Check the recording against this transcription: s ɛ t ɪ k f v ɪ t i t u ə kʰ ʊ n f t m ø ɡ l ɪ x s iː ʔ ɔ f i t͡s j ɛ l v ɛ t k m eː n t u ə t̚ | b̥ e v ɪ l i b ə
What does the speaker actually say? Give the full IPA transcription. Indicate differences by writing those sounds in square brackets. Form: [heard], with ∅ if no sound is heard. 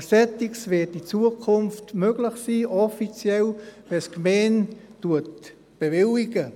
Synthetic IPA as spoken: s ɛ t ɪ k [s] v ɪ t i [t͡s] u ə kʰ ʊ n f t m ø ɡ l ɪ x s iː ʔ ɔ f i t͡s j ɛ l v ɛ [s] k m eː n t u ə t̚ | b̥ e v ɪ l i [ɡ] ə